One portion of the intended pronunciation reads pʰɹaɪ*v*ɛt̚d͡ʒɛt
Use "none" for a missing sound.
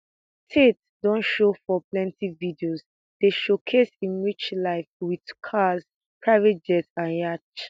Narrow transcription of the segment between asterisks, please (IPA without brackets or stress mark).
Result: v